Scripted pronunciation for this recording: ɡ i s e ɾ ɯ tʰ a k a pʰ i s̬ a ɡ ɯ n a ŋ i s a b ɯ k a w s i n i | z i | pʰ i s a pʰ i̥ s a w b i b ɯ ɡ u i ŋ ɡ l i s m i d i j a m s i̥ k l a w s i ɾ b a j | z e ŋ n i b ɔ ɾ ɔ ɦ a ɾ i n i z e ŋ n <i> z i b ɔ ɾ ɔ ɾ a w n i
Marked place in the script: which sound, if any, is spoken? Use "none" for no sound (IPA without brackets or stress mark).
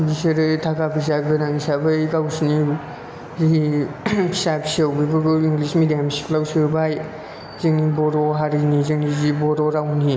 i